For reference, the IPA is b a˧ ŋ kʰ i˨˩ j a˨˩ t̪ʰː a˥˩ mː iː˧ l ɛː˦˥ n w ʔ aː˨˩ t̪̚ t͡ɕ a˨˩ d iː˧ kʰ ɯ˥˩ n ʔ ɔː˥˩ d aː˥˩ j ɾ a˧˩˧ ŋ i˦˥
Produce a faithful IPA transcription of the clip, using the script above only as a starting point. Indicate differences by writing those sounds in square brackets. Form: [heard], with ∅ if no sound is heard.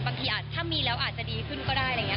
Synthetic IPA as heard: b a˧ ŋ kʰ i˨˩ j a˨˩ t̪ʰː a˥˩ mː iː˧ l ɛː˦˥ [∅] w ʔ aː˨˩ t̪̚ t͡ɕ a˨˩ d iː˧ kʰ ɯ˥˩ n [k] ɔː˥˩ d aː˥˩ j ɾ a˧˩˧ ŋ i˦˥